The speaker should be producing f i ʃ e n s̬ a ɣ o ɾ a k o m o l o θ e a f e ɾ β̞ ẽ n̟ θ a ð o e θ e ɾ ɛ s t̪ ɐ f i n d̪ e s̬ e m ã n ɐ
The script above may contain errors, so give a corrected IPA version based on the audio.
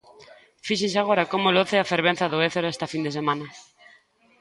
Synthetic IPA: f i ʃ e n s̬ a ɣ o ɾ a k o m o l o θ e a f e ɾ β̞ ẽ n̟ θ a ð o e θ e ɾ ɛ s t̪ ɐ f i n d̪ e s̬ e m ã n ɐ